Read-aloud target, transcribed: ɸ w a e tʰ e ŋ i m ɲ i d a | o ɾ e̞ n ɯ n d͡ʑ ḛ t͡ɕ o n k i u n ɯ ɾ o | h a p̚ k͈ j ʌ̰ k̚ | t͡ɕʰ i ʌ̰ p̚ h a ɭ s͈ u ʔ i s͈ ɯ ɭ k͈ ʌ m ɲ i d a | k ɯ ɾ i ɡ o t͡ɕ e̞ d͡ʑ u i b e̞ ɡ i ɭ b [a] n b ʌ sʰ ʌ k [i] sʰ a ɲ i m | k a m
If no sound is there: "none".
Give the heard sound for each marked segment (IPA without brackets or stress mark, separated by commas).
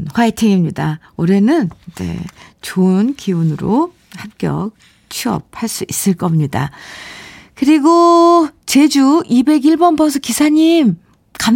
ʌ, i